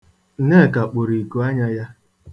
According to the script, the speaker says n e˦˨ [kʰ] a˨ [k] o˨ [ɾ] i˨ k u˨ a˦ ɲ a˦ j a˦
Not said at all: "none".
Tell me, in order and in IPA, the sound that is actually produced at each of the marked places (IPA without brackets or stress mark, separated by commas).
k, k͡p, ɾ